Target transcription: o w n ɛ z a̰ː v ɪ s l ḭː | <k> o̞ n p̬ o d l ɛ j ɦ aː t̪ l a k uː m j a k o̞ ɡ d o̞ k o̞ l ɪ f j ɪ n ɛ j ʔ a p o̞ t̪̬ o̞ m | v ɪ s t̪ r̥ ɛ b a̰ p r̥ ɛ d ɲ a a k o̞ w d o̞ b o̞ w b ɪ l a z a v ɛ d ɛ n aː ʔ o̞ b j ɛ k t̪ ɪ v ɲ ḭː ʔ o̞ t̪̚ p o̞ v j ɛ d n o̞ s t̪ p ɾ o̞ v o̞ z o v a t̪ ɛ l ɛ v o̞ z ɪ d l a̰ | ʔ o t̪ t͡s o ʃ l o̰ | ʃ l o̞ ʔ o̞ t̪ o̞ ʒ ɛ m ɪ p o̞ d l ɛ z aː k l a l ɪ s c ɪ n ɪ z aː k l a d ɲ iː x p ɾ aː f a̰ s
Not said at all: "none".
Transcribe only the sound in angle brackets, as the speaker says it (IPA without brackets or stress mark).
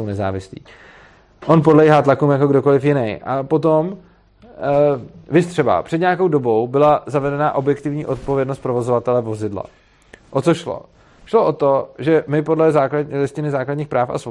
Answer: ʔ